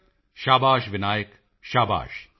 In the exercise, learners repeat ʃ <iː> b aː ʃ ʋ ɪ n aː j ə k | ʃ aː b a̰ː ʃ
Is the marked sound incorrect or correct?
incorrect